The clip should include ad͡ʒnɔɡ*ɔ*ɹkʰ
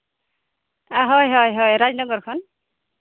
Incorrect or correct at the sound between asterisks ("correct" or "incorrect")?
correct